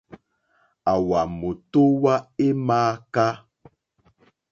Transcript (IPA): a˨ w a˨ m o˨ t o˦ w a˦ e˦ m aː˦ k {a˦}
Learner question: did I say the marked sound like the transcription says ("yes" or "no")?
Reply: yes